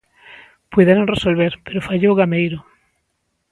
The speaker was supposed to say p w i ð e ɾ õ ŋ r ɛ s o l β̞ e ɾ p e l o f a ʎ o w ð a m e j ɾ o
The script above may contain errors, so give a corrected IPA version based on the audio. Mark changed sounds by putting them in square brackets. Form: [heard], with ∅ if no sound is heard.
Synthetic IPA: p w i ð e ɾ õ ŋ r [e] s o l β̞ e ɾ p e [ɾ] o f a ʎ o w [ɣ] a m e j ɾ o